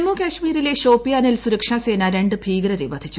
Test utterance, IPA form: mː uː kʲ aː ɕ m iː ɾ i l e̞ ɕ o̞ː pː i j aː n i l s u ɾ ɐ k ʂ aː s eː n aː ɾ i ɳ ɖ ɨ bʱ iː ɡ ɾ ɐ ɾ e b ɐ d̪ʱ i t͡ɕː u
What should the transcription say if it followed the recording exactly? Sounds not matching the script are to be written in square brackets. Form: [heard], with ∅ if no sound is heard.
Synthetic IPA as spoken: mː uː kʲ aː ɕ m iː ɾ i l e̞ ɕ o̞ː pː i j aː n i l s u ɾ ɐ k ʂ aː s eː n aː ɾ [e] ɳ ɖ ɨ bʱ iː ɡ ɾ ɐ ɾ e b ɐ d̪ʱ i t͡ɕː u